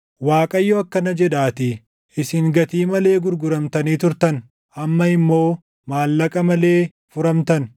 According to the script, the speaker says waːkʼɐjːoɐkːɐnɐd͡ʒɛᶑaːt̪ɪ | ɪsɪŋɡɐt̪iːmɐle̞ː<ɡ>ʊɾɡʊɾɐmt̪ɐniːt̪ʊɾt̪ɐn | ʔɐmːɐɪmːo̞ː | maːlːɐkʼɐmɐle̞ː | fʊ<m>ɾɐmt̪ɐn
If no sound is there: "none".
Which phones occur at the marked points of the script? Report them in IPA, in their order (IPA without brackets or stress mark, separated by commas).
ɡ, none